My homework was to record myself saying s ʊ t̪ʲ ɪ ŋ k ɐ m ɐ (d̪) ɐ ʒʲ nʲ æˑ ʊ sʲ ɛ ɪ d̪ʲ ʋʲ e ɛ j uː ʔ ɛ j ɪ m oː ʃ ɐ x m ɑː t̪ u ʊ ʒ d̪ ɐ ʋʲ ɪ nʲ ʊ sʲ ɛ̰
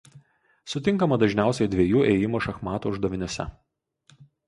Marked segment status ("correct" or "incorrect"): correct